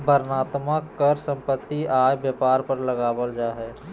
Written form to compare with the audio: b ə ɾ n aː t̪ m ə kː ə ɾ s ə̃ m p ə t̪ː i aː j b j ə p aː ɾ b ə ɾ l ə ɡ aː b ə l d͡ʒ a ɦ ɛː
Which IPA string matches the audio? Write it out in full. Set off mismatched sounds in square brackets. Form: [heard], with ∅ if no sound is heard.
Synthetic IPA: b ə ɾ n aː t̪ m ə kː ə ɾ s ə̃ m p ə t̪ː i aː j b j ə p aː ɾ [p] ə ɾ l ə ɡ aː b ə l d͡ʒ a ɦ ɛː

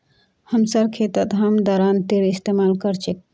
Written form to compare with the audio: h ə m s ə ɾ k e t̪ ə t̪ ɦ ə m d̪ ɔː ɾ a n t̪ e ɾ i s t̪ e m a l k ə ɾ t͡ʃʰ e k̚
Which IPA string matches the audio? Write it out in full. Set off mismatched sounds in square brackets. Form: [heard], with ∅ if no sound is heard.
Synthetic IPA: h ə m s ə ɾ [kʰ] e t̪ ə t̪ ɦ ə m d̪ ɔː ɾ a n t̪ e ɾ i s t̪ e m a l k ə ɾ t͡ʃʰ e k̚

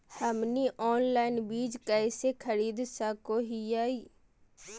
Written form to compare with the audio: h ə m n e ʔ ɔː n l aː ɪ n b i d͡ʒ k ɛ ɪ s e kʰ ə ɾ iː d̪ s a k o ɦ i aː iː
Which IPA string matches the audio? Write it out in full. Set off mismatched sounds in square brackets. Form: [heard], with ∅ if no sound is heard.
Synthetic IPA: h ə m n [i] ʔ ɔː n l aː ɪ n b [iː] d͡ʒ k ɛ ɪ s e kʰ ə ɾ iː d̪ s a k o ɦ i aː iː

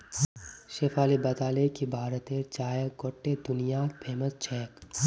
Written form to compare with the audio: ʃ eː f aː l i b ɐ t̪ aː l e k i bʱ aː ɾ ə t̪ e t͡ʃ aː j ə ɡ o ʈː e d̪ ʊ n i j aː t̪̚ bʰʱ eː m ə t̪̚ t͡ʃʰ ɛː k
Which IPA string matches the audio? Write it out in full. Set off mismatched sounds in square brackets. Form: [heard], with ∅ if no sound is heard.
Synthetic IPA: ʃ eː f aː l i b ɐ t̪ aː l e k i bʱ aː ɾ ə t̪ e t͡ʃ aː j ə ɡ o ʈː e d̪ ʊ n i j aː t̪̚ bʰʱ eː m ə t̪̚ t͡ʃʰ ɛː k

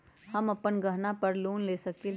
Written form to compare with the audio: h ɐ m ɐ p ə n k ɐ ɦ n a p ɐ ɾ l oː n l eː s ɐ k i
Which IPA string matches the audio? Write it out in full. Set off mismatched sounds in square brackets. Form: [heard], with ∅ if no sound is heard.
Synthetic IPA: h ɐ m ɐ p ə n [ɡ] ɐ ɦ n a p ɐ ɾ l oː n l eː s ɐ k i

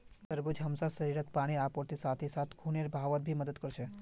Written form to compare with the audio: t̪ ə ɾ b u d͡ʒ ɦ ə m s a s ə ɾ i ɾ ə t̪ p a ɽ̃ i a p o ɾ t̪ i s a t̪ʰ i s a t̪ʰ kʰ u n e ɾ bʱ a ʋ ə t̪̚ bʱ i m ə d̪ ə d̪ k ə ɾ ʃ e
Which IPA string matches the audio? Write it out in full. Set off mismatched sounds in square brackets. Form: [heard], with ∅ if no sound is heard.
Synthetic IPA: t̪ ə ɾ b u d͡ʒ ɦ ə m s a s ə ɾ i ɾ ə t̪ p a ɽ̃ i a p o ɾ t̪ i s a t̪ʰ i s a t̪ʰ kʰ u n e ɾ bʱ a ʋ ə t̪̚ bʱ i m ə d̪ ə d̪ k ə ɾ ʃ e

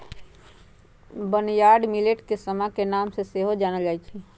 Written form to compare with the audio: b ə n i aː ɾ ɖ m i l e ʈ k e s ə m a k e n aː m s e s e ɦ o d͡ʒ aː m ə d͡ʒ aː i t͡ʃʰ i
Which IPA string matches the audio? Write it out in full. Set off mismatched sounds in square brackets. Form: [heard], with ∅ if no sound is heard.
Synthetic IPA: b ə n [j] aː ɾ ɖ m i l e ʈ k e s ə m a k e n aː m s e s e ɦ o d͡ʒ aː [n] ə d͡ʒ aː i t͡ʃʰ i

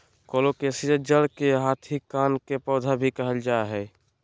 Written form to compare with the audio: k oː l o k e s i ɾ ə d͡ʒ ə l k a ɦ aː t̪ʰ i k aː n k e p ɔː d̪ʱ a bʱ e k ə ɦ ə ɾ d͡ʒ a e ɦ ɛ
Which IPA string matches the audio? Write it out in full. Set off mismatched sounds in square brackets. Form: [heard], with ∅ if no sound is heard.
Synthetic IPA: k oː l o k e s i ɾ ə d͡ʒ ə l k [e] ɦ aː t̪ʰ i k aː n k e p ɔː d̪ʱ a bʱ [i] k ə ɦ ə [l] d͡ʒ a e ɦ ɛ

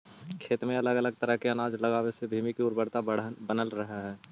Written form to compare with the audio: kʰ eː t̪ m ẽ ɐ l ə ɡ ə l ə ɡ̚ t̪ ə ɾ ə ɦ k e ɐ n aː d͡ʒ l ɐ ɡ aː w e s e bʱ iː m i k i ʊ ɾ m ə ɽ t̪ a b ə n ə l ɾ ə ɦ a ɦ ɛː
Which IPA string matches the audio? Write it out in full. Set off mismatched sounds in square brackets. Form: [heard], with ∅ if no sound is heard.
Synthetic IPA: kʰ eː t̪ m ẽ ɐ l ə ɡ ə l ə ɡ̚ t̪ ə ɾ ə ɦ k e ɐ n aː d͡ʒ l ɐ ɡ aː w e s e bʱ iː m i k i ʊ ɾ [b] ə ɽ t̪ a b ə n ə l ɾ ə ɦ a ɦ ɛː

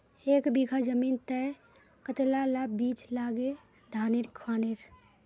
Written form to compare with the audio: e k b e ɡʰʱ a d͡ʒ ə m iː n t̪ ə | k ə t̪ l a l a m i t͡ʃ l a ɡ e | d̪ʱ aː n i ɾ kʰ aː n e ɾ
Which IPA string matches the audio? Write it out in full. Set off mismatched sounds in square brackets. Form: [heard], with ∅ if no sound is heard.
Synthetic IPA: e k b [i] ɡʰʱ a d͡ʒ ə m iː n t̪ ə | k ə t̪ l a l a [b] i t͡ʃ l a ɡ e | d̪ʱ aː n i ɾ kʰ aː n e ɾ

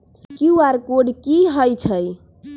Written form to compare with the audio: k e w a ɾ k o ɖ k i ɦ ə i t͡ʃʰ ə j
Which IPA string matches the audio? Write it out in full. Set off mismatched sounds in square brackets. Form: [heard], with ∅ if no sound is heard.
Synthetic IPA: k [i] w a ɾ k o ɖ k i ɦ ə [j] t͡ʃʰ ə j

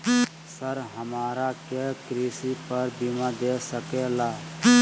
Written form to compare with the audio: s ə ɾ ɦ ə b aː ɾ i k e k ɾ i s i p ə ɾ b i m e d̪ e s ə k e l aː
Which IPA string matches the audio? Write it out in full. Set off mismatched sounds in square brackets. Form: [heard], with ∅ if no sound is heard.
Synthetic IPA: s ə ɾ ɦ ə [m] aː ɾ [a] k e k ɾ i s i p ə ɾ b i m [a] d̪ e s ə k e l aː

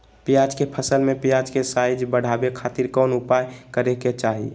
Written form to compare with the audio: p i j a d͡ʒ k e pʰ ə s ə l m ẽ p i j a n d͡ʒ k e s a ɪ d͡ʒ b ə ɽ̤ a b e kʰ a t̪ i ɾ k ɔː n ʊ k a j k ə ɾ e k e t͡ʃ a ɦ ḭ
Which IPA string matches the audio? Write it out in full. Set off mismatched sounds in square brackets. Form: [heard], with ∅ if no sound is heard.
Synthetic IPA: p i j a d͡ʒ k e pʰ ə s ə l m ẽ p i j a [∅] d͡ʒ k e s a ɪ d͡ʒ b ə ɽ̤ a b e kʰ a t̪ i ɾ k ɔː n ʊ [p] a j k ə ɾ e k e t͡ʃ a ɦ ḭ

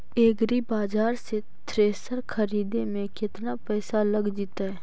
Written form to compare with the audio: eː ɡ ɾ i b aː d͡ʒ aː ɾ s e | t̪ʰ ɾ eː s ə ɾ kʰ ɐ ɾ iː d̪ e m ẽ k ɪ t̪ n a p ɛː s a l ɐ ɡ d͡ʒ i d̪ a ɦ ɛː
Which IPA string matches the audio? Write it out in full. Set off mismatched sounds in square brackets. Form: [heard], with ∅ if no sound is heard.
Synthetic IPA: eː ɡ ɾ i b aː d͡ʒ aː ɾ s e | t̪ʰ ɾ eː s ə ɾ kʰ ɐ ɾ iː d̪ e m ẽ k ɪ t̪ n a p ɛː s a l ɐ ɡ d͡ʒ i [t̪] a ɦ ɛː

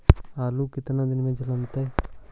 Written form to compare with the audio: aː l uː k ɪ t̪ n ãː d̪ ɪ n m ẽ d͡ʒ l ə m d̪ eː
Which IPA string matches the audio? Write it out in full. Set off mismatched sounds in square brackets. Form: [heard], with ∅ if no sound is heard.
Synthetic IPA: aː l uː k ɪ t̪ n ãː d̪ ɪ n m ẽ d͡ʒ l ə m [t̪] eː

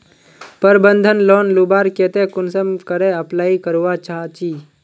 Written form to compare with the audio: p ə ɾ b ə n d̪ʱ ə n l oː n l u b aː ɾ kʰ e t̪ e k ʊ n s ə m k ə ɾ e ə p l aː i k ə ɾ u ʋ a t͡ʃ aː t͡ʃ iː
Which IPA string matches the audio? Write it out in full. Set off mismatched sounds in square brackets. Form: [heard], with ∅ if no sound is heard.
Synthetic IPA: p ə ɾ b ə n d̪ʱ ə n l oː n l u b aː ɾ [k] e t̪ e k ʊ n s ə m k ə ɾ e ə p l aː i k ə ɾ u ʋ a t͡ʃ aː t͡ʃ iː

